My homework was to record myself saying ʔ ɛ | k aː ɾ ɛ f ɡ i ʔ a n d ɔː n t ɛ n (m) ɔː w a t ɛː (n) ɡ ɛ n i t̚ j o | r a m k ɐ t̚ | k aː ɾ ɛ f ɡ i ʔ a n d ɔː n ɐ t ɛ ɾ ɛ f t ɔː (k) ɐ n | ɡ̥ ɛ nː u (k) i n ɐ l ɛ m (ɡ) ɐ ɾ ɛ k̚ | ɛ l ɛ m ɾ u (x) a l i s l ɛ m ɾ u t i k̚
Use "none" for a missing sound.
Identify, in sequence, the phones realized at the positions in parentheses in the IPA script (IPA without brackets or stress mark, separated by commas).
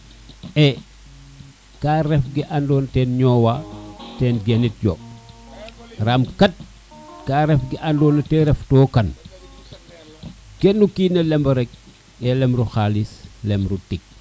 ɲ, n, k, k, b, x